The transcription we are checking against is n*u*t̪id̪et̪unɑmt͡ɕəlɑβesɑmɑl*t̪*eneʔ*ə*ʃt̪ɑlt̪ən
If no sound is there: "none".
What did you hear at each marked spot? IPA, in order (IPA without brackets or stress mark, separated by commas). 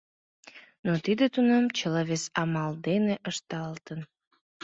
o, d̪, ə